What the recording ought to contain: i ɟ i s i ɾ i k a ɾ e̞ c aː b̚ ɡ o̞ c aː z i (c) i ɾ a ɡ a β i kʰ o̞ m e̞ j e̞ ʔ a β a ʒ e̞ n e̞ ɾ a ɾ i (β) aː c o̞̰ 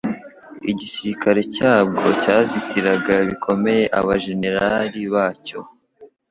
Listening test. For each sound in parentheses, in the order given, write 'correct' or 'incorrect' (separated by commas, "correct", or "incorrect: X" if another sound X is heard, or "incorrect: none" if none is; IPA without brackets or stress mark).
incorrect: t, correct